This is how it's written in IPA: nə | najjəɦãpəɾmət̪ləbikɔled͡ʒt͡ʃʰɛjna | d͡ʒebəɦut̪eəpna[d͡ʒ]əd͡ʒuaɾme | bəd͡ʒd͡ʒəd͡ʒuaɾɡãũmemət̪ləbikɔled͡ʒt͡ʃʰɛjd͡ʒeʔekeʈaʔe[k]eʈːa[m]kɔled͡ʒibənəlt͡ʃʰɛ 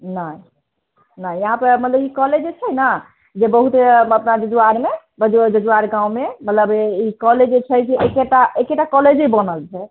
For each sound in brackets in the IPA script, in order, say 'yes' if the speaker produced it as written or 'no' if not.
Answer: yes, yes, no

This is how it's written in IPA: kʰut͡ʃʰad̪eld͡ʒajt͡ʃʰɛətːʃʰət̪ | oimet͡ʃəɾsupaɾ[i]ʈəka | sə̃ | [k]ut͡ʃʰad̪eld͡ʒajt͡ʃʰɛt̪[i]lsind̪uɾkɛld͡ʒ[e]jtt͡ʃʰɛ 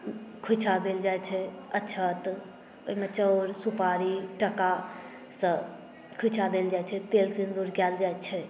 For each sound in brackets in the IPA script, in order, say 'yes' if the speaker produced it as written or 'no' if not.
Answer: yes, no, no, no

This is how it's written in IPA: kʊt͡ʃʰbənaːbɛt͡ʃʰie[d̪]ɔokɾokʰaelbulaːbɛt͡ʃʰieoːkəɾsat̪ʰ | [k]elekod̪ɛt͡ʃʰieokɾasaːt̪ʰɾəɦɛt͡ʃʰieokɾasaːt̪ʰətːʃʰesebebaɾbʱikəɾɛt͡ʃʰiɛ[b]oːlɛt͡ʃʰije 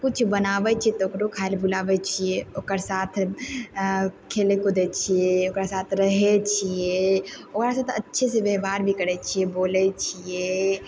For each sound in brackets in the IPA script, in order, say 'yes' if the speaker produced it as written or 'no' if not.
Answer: no, no, yes

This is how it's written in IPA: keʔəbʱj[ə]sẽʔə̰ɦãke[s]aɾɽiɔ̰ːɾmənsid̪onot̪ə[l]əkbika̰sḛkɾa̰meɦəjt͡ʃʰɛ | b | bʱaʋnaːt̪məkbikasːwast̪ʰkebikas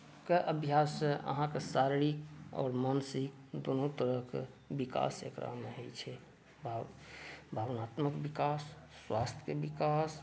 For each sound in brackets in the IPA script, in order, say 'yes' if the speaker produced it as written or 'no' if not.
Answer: no, yes, no

